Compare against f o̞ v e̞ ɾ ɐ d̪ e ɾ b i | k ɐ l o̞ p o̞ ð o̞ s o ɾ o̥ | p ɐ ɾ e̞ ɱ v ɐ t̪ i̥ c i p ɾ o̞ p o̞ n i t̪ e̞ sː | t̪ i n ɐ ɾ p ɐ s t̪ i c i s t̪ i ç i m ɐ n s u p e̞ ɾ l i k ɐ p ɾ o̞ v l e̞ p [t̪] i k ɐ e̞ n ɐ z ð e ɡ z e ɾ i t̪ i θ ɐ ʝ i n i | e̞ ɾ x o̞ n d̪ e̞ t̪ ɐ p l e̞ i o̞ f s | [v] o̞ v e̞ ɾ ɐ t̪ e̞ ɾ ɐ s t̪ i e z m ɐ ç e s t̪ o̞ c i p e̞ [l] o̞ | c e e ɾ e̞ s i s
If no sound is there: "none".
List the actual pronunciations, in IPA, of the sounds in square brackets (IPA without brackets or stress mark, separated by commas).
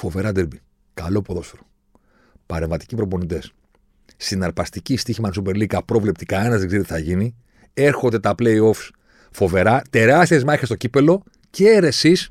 t̪, f, l